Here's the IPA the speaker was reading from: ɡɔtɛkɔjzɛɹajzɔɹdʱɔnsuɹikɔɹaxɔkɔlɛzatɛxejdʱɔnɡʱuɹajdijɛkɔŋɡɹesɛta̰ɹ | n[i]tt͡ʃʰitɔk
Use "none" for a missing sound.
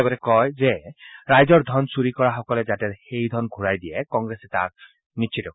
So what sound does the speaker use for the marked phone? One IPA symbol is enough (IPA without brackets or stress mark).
i